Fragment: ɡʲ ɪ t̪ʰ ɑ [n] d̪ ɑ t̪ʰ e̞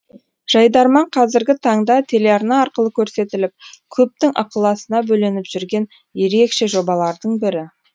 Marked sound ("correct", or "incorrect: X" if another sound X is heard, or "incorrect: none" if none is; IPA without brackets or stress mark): incorrect: ɴ